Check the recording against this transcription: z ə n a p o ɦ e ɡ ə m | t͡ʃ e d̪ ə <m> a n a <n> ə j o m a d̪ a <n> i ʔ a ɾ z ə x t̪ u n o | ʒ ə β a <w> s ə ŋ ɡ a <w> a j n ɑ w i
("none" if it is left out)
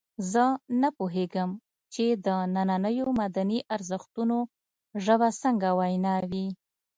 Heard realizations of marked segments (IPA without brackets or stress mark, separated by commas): n, n, n, none, w